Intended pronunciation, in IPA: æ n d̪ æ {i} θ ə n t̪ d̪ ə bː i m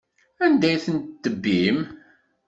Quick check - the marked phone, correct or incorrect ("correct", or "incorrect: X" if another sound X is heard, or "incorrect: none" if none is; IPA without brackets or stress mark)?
incorrect: j